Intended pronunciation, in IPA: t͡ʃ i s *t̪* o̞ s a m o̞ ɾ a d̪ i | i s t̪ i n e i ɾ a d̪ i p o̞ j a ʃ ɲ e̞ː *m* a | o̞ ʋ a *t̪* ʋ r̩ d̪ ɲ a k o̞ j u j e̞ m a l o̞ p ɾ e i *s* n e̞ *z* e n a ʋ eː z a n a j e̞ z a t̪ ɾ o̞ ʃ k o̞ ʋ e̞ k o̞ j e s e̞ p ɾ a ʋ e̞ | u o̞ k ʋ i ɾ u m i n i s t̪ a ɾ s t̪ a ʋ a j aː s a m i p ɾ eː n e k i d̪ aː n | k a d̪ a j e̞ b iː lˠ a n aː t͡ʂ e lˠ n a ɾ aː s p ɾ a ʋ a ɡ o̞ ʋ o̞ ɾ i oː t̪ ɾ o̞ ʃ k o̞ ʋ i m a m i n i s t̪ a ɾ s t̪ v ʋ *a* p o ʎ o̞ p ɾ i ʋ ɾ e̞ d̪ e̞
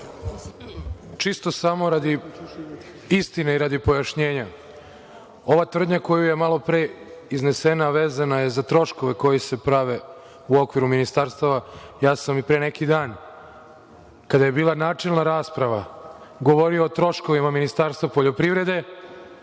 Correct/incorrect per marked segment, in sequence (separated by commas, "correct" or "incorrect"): correct, incorrect, correct, incorrect, incorrect, correct